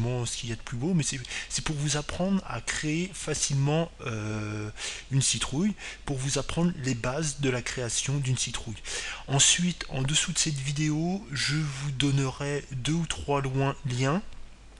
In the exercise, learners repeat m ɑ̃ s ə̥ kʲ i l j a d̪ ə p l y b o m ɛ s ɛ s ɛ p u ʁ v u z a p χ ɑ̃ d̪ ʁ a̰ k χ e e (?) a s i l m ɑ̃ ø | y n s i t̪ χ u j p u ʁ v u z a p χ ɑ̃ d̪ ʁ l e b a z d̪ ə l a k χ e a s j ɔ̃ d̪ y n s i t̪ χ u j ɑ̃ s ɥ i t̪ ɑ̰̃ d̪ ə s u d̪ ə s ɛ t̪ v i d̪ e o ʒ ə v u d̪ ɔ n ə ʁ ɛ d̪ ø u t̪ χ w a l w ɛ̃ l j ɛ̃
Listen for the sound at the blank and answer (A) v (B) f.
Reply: B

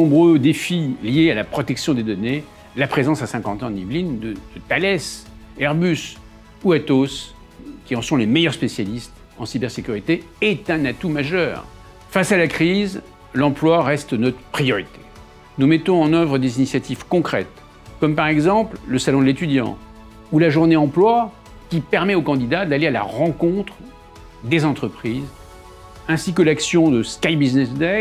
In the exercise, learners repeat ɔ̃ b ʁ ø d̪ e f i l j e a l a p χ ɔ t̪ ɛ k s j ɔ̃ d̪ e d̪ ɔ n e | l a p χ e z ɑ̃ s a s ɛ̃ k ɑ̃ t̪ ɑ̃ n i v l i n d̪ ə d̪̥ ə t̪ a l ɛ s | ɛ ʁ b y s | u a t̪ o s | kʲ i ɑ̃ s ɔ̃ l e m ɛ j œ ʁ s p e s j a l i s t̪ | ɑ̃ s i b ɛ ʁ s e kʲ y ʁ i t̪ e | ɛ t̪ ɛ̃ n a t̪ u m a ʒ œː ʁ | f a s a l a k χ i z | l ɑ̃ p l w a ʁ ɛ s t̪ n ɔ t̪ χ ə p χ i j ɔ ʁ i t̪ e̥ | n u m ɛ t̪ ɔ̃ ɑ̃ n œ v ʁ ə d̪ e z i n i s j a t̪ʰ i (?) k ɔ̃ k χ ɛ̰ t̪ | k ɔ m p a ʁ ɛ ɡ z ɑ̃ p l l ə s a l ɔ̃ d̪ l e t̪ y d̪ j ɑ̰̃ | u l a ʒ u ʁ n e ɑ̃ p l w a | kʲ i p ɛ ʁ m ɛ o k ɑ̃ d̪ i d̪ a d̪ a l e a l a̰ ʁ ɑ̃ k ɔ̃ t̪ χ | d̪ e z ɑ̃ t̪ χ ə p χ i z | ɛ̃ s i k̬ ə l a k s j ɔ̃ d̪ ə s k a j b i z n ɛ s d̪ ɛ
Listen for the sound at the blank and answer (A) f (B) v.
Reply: B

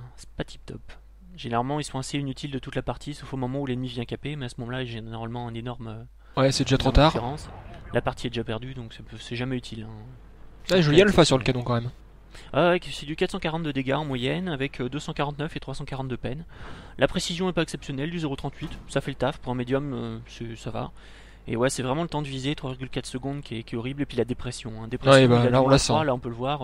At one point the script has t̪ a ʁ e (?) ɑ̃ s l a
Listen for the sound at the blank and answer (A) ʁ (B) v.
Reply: A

